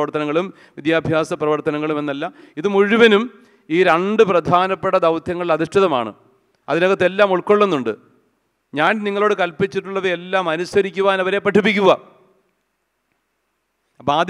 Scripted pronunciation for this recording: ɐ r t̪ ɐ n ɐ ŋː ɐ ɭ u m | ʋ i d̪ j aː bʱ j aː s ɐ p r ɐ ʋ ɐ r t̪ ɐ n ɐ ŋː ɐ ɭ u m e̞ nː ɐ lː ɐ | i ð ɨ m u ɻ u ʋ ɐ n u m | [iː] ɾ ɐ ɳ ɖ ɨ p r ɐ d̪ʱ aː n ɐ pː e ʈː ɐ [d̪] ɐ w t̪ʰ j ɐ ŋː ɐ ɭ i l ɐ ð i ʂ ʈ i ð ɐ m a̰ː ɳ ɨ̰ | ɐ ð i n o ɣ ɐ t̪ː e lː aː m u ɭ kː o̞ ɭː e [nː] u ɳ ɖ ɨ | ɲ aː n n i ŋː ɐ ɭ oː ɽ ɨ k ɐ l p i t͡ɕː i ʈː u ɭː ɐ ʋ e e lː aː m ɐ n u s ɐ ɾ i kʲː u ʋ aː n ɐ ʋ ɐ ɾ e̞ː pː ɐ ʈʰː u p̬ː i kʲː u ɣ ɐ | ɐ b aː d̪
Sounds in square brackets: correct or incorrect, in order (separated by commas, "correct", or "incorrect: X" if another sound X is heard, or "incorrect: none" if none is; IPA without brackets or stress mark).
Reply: correct, correct, correct